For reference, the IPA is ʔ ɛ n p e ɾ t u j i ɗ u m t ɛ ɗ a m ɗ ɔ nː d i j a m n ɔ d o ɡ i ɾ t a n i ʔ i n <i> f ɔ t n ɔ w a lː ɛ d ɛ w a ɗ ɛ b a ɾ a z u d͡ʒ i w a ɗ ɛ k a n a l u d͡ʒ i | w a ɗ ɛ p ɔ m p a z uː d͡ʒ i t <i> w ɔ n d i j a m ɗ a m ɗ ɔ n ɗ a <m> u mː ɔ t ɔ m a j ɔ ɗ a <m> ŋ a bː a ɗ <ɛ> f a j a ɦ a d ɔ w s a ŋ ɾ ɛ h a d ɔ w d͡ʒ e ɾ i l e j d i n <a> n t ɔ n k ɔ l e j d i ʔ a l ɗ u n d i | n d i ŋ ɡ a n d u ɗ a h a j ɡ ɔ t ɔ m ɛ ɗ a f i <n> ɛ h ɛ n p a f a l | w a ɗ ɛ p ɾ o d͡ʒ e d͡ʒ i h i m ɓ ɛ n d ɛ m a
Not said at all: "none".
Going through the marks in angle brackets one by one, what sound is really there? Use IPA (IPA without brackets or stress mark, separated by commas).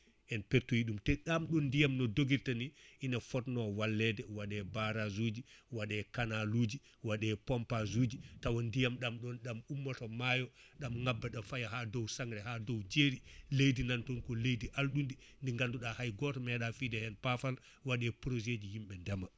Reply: a, a, m, m, a, a, d